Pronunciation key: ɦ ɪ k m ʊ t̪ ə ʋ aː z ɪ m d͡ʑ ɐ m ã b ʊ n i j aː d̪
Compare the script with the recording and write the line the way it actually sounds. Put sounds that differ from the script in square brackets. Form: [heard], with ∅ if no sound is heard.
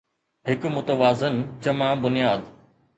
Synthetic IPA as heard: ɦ ɪ k m ʊ t̪ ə ʋ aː z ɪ [n] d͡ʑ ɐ m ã b ʊ n i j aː d̪

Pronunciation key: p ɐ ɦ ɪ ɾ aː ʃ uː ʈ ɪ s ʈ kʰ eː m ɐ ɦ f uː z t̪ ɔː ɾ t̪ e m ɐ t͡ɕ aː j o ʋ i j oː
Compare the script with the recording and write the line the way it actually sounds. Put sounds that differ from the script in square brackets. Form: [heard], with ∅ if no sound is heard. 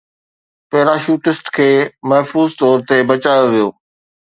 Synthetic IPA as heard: p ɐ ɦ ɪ ɾ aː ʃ uː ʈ ɪ s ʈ kʰ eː m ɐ ɦ f uː z t̪ ɔː ɾ t̪ e [b] ɐ t͡ɕ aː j o ʋ i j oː

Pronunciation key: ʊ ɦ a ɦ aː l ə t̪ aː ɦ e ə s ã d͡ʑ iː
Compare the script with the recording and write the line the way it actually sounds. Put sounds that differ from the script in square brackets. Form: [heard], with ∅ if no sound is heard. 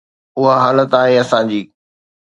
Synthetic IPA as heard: ʊ ɦ a ɦ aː l ə t̪ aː ɦ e [ɐ] s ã d͡ʑ iː

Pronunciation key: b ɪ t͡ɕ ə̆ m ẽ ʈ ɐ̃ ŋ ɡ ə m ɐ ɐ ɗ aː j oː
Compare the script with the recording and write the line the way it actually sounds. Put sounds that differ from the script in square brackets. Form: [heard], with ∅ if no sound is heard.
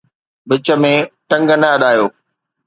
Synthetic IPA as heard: b ɪ t͡ɕ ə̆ m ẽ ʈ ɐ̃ ŋ ɡ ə [n] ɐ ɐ ɗ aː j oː

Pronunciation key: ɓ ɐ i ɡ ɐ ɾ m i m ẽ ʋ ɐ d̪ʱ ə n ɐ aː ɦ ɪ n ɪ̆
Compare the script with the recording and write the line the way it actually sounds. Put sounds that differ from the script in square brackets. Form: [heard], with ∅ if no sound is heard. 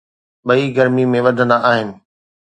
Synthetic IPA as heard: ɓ ɐ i ɡ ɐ ɾ m i m ẽ ʋ ɐ d̪ʱ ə n [a] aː ɦ ɪ n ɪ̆

